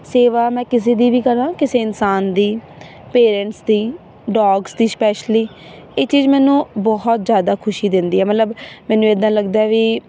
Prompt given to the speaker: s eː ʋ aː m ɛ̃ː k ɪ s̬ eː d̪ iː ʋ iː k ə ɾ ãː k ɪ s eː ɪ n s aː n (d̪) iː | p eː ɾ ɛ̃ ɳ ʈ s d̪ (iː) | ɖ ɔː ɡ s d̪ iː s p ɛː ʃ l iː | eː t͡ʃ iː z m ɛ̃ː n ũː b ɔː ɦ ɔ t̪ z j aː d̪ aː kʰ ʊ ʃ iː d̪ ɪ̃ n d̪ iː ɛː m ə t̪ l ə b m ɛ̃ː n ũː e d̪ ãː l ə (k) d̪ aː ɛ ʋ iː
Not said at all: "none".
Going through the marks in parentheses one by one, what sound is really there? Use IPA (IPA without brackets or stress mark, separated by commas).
d̪, iː, ɡ